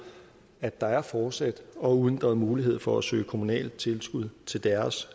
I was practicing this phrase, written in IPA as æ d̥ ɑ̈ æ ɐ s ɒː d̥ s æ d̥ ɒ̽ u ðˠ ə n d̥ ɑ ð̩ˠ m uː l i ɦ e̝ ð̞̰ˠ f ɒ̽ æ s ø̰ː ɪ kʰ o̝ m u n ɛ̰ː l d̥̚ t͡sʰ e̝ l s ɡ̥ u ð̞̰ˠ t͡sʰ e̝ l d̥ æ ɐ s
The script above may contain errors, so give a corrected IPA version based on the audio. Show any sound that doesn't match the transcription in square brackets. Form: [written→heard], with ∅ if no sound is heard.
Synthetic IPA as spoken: æ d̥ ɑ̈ æ ɐ [s→f] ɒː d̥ s æ d̥ ɒ̽ u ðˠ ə n d̥ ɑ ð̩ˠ m uː l i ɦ e̝ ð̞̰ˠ f ɒ̽ æ s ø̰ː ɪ kʰ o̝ m u n ɛ̰ː l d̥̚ t͡sʰ e̝ l s ɡ̥ u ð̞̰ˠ t͡sʰ e̝ l d̥ æ ɐ s